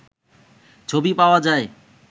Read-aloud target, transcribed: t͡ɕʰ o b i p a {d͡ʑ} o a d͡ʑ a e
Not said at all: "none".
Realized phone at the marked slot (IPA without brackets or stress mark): none